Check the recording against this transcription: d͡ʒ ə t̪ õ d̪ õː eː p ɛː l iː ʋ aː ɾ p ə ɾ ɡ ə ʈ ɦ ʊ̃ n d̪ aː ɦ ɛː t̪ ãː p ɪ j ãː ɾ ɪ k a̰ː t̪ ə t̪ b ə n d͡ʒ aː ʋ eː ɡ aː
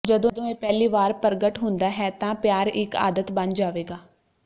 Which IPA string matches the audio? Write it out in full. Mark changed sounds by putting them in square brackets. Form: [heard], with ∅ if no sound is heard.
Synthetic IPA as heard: d͡ʒ ə [d̪] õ d̪ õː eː p ɛː l iː ʋ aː ɾ p ə ɾ ɡ ə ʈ ɦ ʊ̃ n d̪ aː ɦ ɛː t̪ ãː p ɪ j [aː] ɾ ɪ k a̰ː [d̪] ə t̪ b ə n d͡ʒ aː ʋ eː ɡ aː